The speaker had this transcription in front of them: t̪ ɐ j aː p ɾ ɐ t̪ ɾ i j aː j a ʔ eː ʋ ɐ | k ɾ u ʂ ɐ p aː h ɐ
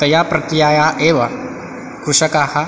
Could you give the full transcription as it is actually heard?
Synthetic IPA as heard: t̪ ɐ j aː p ɾ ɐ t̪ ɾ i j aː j a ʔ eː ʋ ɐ | k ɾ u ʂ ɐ k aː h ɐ